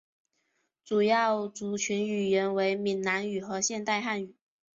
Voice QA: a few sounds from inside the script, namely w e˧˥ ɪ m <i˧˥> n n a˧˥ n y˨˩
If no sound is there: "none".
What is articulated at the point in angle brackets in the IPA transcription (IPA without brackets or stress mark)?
i˨˩